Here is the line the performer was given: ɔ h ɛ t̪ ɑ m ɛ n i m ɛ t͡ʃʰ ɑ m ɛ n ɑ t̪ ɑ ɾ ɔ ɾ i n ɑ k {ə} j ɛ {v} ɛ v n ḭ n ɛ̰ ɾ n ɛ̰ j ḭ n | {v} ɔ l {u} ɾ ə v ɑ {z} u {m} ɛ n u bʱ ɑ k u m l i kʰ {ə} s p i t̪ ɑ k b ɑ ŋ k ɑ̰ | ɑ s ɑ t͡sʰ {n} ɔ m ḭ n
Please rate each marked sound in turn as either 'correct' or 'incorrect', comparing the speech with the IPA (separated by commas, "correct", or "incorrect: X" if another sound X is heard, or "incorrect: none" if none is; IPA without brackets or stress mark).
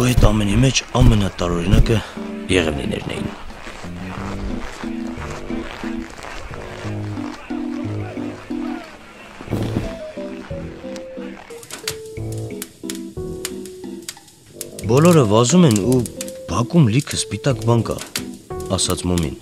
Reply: correct, incorrect: ʁ, incorrect: b, incorrect: ɔ, correct, correct, correct, incorrect: m